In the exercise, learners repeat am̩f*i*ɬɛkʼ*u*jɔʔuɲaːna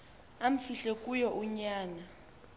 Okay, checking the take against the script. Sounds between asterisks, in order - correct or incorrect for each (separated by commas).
correct, correct